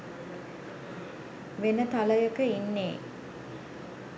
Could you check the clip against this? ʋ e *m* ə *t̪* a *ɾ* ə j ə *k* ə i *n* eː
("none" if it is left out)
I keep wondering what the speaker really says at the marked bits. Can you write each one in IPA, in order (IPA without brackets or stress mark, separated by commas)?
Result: n, t̪, l, k, nː